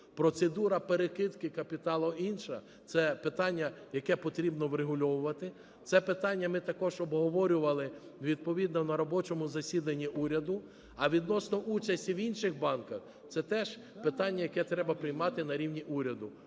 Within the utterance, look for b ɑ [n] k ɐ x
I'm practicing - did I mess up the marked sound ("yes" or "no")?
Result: no